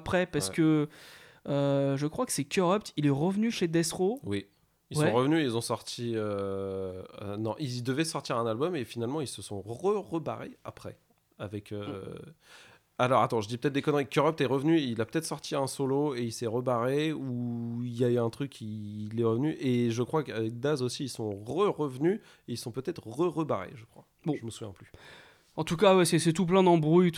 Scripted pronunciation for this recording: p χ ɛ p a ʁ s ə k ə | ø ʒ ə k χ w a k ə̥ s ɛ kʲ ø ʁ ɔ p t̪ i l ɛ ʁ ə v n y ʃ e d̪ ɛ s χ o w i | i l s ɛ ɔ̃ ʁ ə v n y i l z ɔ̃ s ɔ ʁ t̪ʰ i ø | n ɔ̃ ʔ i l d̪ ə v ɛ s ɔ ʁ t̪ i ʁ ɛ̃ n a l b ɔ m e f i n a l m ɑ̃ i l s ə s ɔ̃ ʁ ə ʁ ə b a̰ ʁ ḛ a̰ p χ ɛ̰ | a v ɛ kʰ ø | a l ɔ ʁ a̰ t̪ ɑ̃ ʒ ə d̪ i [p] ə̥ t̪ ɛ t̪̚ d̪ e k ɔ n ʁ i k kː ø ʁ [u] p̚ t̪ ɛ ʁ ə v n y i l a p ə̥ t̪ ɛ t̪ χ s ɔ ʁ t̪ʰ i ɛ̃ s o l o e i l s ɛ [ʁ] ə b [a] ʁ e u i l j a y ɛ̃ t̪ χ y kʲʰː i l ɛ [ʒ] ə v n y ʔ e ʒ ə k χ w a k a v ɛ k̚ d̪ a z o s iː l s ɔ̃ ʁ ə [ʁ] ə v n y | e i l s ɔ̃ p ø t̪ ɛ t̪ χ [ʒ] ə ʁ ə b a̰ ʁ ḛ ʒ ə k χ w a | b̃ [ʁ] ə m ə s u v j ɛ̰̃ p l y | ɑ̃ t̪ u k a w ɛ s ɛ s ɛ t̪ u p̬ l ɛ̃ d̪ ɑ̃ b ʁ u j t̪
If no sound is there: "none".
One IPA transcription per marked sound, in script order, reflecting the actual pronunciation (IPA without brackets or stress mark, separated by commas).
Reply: p, ɔ, ʁ, a, ʁ, ʁ, ʁ, ʒ